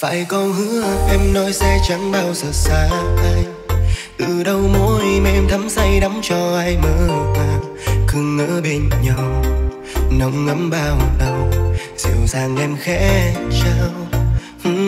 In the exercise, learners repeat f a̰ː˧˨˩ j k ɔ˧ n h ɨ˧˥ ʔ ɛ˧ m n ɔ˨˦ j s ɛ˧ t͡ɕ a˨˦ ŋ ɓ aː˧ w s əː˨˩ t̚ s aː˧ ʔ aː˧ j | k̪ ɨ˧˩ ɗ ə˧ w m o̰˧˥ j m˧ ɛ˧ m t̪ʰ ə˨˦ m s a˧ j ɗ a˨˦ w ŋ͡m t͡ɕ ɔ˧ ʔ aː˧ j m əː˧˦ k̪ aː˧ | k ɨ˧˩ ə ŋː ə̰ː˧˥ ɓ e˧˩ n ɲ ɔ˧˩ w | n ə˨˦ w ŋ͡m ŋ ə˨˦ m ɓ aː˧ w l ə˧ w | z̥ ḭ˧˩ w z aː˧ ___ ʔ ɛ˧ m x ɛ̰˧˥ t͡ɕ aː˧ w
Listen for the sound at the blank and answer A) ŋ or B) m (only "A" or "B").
A